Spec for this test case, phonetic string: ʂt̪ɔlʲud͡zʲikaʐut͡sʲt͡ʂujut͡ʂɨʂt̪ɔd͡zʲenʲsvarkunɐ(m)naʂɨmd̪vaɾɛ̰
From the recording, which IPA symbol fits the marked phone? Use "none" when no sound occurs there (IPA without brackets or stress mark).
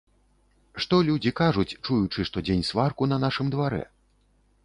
none